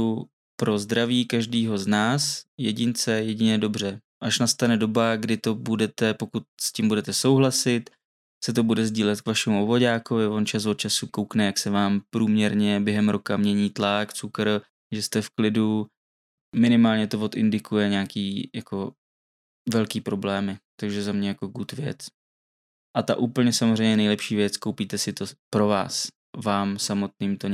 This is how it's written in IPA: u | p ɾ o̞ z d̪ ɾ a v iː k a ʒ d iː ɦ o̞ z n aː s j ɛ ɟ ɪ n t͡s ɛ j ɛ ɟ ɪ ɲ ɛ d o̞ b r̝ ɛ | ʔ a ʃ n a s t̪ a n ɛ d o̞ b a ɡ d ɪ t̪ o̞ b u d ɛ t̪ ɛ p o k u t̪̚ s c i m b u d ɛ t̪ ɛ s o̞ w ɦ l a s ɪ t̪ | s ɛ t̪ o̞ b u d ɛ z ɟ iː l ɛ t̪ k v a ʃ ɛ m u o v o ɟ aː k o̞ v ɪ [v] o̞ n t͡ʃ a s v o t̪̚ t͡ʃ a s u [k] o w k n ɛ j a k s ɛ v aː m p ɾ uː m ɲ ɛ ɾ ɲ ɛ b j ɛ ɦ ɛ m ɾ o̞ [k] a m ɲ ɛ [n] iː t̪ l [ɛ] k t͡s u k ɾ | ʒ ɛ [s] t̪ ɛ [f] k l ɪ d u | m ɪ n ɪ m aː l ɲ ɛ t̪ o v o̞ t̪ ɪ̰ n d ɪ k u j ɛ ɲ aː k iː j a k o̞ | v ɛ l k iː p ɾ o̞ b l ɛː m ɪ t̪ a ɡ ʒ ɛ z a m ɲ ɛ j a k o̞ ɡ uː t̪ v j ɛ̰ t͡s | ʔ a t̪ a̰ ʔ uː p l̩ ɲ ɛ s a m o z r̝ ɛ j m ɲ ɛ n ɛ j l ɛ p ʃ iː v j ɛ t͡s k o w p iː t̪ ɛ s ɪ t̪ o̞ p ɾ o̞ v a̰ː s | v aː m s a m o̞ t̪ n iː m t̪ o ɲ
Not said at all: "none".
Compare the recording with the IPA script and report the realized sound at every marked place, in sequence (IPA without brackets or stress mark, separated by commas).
v, k, k, ɲ, a, s, f